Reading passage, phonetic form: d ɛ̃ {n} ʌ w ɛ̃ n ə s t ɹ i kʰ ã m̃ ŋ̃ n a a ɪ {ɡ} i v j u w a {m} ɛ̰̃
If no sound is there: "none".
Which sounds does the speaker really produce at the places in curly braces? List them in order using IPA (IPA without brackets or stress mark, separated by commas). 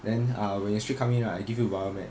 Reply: n, ɡ, m